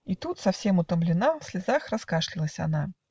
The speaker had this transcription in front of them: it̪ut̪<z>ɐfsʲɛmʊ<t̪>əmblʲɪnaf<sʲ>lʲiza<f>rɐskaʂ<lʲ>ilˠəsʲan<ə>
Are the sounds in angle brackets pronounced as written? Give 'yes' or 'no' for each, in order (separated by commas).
no, yes, yes, no, yes, no